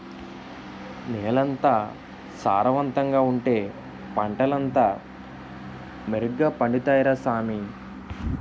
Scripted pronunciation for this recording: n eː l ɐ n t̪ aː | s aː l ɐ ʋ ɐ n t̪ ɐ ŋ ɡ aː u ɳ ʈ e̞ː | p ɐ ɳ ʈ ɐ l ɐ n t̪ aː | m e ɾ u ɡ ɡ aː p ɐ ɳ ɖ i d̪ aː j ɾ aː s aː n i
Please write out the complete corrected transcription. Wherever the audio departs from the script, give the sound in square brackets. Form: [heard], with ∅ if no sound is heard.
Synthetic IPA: n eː l ɐ n t̪ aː | s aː [ɾ] ɐ ʋ ɐ n t̪ ɐ ŋ ɡ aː u ɳ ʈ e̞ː | p ɐ ɳ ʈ ɐ l ɐ n t̪ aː | m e ɾ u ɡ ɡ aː p ɐ ɳ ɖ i [t̪] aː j ɾ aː s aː [m] i

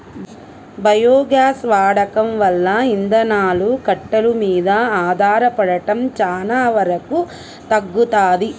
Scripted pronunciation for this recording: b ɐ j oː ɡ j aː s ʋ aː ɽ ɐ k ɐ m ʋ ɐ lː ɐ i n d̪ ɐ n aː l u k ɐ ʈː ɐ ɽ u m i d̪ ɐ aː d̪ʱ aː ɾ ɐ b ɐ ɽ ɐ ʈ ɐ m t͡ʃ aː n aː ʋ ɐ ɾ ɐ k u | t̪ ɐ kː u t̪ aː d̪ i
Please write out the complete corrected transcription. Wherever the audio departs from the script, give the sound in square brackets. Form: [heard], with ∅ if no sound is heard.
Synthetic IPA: b ɐ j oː ɡ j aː s ʋ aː ɽ ɐ k ɐ m ʋ ɐ lː ɐ i n d̪ ɐ n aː l u k ɐ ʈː ɐ [l] u m [iː] d̪ ɐ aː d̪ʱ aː ɾ ɐ [p] ɐ ɽ ɐ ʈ ɐ m t͡ʃ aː n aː ʋ ɐ ɾ ɐ k u | t̪ ɐ [ɡː] u t̪ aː d̪ i

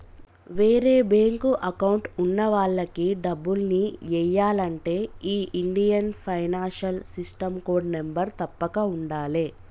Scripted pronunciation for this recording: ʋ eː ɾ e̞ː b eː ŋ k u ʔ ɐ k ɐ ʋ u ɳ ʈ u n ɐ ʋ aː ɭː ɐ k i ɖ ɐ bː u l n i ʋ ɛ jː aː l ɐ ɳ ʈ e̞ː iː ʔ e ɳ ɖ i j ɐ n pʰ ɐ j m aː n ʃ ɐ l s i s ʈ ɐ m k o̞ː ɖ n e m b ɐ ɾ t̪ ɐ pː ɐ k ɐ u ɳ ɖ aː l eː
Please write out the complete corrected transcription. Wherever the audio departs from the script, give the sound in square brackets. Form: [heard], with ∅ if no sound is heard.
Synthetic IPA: ʋ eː ɾ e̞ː b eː ŋ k u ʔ ɐ k ɐ [w] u ɳ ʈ u [nː] ɐ ʋ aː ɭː ɐ k i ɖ ɐ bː u l n i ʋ ɛ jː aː l ɐ ɳ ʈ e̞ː iː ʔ [i] ɳ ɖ i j ɐ n pʰ ɐ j [n] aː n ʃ ɐ l s i s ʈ ɐ m k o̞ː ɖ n e m b ɐ ɾ t̪ ɐ pː ɐ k ɐ u ɳ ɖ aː l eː

